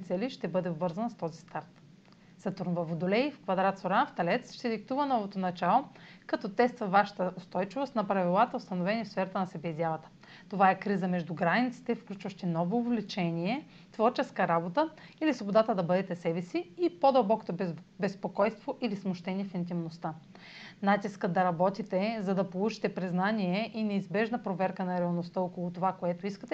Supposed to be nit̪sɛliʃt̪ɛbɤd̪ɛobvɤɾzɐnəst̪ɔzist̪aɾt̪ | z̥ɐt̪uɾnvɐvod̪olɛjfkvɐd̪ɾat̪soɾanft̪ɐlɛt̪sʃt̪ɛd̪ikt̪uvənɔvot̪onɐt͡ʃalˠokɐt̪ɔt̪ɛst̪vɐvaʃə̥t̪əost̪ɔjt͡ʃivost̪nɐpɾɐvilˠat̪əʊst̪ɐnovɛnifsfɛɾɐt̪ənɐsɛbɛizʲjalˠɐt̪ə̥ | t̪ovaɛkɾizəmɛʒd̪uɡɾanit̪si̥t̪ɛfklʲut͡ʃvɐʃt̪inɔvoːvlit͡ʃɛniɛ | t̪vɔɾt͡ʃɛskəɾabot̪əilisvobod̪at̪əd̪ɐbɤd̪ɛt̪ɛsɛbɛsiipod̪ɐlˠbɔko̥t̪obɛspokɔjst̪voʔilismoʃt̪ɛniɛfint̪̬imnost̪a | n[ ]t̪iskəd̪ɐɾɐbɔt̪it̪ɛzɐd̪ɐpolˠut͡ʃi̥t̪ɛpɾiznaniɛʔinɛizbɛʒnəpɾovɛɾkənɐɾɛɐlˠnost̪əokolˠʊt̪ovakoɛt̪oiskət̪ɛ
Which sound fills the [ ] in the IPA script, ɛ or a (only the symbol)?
a